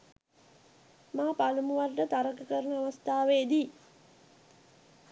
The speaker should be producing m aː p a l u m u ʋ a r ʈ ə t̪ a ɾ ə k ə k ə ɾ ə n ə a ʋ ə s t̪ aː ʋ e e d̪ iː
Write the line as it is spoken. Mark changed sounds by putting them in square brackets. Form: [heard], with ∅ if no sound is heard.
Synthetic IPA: m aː p a l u m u ʋ a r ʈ ə t̪ a ɾ ə k ə k ə ɾ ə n ə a ʋ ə s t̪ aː ʋ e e d̪ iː